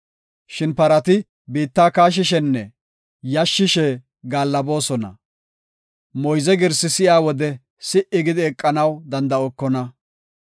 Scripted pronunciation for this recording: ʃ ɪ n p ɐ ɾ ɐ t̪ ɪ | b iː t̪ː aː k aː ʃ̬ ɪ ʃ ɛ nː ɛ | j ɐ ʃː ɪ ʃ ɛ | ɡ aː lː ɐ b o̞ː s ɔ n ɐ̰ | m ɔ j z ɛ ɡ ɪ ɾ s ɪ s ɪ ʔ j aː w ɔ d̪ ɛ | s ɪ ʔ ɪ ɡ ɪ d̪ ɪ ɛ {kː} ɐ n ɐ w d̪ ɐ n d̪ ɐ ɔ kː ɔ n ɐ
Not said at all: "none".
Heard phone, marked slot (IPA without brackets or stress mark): kʼː